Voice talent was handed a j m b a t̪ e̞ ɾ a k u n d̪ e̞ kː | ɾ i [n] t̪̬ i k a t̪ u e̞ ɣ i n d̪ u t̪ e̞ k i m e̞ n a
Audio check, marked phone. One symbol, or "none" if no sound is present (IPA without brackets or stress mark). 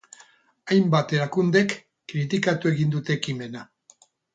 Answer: none